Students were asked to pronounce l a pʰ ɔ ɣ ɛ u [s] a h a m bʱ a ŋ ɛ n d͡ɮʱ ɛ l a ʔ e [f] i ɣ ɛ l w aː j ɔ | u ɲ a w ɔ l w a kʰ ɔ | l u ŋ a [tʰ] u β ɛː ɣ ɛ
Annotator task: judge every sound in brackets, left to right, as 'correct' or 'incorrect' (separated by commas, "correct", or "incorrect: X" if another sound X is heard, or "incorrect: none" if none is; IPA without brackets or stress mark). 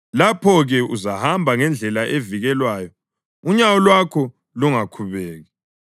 incorrect: z, incorrect: v, incorrect: kʰ